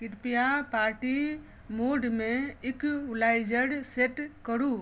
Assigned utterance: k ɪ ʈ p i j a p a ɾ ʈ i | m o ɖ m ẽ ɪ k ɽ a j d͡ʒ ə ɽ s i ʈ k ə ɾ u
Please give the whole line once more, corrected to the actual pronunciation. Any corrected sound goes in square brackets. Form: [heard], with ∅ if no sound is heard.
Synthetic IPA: k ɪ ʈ p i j a p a ɾ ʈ i | m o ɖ m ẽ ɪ k [l] a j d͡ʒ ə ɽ s [e] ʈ k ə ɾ u